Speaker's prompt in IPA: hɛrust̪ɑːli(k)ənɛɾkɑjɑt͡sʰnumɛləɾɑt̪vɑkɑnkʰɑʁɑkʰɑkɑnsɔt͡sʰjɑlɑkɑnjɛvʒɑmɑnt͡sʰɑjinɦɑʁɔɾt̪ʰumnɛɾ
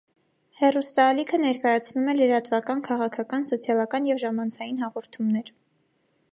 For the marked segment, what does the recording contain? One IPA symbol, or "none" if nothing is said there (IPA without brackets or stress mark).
kʰ